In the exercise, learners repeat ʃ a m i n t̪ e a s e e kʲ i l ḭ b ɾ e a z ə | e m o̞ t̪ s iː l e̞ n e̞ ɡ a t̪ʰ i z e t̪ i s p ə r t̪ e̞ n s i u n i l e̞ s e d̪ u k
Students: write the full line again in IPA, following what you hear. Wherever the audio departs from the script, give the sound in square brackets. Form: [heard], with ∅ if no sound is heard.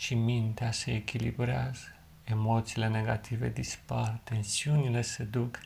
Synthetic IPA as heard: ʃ [i] m i n t̪ e a s e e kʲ i l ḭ b ɾ e a z ə | e m o̞ t̪ s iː l e̞ n e̞ ɡ a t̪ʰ i [v] e [d̪] i s p [a] r t̪ e̞ n s i u n i l e̞ s e d̪ u k